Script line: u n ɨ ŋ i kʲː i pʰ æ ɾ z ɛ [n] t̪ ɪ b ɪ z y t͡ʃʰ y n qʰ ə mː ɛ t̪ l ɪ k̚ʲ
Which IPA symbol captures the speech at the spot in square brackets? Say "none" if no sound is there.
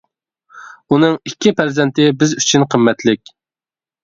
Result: n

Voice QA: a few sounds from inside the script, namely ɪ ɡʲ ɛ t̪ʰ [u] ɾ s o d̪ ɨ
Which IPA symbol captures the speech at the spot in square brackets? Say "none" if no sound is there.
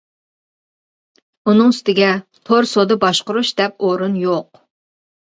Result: o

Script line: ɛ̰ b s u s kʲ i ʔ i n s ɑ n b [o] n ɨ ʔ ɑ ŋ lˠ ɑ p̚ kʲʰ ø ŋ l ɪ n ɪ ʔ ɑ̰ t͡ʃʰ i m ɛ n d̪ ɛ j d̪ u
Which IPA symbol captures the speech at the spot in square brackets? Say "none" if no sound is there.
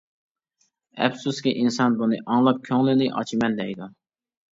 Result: u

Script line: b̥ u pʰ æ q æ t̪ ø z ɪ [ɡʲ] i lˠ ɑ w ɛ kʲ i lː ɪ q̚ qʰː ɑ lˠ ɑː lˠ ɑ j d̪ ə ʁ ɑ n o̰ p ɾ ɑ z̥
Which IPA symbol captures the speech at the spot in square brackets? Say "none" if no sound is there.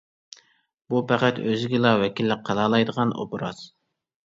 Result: ɡʲ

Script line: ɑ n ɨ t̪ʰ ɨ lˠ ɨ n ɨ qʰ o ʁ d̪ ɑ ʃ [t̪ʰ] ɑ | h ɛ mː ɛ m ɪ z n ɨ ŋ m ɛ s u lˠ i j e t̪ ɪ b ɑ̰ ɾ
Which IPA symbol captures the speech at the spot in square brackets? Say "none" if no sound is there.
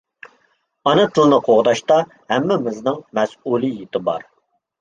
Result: t̪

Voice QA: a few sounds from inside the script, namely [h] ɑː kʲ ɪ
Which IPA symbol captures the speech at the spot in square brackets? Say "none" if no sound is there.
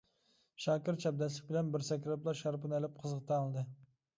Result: ʃ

